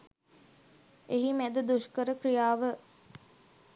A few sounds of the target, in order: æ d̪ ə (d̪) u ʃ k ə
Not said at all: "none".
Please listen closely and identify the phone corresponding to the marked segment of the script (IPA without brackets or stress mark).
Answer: d̪